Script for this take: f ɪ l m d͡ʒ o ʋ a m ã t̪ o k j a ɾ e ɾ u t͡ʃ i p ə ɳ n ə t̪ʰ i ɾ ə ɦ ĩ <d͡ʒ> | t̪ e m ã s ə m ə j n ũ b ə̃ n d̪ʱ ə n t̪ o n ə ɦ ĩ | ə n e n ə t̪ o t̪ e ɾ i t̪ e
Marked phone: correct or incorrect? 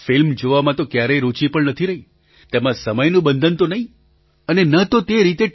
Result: incorrect